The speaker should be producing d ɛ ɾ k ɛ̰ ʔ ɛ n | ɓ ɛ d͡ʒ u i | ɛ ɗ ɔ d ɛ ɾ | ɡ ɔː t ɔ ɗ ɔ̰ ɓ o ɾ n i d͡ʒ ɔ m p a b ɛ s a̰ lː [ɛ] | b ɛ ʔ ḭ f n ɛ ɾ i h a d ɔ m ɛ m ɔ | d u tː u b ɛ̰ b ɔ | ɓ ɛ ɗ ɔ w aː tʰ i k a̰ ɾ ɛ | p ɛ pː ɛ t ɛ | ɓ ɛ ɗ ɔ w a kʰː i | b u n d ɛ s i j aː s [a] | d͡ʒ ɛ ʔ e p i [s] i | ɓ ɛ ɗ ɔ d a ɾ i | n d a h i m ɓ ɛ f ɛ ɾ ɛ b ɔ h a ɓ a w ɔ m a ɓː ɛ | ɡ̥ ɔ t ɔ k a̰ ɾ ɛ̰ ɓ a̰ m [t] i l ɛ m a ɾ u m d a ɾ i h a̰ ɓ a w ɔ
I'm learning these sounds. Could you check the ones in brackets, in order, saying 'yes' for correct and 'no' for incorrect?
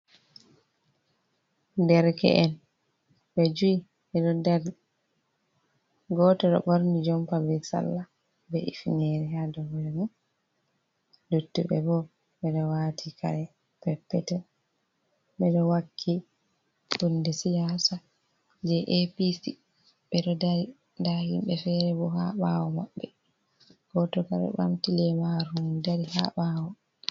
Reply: no, yes, yes, yes

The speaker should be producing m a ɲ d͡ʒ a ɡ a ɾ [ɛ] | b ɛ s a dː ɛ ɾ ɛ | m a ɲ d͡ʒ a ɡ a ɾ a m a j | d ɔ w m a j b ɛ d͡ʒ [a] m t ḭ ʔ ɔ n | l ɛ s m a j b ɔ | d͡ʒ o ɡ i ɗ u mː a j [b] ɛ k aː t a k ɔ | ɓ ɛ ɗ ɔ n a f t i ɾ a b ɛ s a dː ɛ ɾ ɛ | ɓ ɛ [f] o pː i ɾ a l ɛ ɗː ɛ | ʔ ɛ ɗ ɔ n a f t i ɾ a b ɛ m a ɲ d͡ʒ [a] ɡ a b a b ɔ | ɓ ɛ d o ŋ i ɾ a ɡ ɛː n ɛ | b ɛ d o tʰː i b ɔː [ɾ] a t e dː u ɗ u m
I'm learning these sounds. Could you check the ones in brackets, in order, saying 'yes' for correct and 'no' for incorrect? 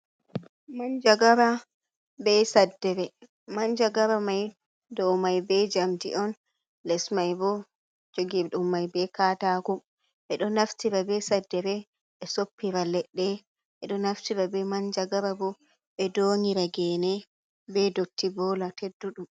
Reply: no, yes, yes, no, yes, no

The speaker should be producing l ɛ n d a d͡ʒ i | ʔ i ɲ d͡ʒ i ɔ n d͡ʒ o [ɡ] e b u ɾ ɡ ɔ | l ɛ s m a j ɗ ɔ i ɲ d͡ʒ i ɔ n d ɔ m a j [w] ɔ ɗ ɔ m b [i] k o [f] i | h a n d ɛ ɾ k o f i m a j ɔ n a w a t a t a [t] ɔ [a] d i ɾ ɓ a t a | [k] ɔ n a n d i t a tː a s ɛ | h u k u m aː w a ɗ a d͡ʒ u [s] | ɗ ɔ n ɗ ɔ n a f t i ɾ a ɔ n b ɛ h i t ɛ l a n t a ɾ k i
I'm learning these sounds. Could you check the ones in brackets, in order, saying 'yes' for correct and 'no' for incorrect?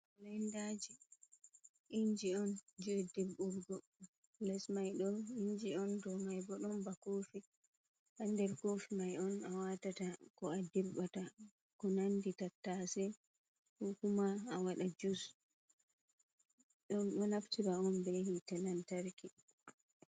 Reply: no, no, no, yes, no, yes, yes, yes

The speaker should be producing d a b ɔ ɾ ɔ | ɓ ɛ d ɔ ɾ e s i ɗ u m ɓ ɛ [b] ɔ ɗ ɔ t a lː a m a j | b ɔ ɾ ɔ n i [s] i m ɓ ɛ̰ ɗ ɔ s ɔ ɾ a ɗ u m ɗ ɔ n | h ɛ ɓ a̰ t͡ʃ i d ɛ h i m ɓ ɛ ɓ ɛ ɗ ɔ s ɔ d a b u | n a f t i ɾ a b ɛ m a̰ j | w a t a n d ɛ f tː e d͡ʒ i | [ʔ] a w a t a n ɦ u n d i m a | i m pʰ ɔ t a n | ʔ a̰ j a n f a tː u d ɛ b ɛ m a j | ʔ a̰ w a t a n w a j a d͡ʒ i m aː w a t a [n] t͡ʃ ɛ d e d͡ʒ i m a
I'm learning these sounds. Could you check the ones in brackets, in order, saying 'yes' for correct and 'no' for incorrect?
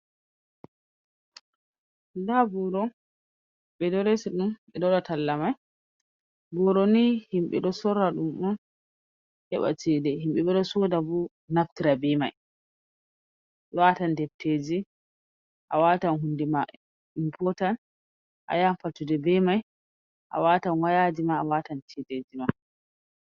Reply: no, no, yes, yes

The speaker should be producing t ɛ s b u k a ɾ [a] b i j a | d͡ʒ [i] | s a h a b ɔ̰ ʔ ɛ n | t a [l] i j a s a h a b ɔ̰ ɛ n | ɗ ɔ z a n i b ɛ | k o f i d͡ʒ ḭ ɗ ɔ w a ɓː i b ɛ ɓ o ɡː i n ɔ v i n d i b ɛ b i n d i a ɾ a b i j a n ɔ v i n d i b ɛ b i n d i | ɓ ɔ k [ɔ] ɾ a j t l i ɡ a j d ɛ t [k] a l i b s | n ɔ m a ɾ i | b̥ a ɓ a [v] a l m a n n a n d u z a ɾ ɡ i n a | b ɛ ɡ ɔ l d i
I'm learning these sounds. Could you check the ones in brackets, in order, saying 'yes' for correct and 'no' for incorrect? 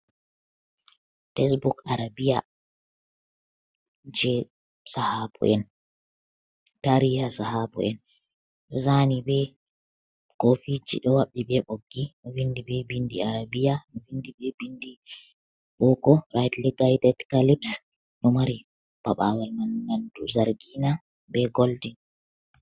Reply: yes, no, no, yes, yes, no

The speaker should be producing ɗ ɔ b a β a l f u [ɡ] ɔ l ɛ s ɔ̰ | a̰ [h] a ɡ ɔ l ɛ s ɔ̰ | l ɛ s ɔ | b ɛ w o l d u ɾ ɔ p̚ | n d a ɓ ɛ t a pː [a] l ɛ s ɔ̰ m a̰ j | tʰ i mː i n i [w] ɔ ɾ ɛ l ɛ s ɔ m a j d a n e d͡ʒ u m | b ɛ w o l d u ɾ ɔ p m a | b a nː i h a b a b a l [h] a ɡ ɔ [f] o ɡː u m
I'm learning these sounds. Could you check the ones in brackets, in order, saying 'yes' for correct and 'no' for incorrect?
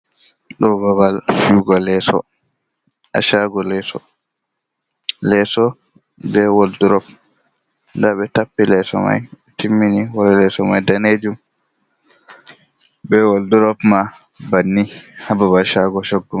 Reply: yes, no, no, yes, no, no

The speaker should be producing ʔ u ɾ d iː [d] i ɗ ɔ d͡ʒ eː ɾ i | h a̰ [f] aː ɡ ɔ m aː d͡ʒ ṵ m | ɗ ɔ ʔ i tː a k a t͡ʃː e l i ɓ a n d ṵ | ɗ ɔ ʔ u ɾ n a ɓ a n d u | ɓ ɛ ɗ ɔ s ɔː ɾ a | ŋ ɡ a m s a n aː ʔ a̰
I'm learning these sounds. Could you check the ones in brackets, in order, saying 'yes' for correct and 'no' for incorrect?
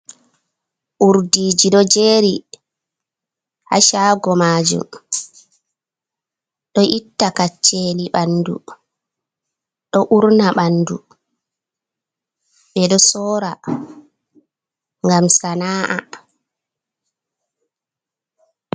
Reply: no, no

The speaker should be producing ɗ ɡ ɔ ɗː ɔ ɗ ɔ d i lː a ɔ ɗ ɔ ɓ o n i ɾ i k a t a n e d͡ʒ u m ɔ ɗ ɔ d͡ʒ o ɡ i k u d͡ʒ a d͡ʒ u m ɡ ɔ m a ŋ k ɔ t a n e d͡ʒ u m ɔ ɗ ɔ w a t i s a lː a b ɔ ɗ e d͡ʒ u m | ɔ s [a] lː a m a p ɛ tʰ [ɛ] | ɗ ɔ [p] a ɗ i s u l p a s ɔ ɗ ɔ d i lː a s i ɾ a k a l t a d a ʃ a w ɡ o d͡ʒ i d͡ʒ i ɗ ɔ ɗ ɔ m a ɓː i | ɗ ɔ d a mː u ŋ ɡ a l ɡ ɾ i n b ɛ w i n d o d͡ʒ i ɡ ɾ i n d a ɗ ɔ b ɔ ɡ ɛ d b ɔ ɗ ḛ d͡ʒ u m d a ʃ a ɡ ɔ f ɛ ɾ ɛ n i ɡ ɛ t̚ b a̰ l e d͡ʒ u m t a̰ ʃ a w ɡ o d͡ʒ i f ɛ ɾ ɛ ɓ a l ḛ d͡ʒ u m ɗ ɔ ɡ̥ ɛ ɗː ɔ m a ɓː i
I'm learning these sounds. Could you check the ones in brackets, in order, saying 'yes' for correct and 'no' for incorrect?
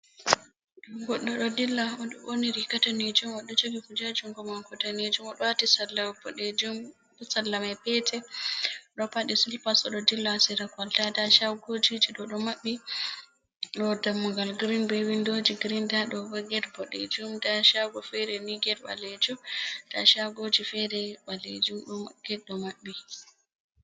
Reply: yes, yes, yes

